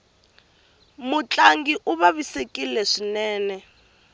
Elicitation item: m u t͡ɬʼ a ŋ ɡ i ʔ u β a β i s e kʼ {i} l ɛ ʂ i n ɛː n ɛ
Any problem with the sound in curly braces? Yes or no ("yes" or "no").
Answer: no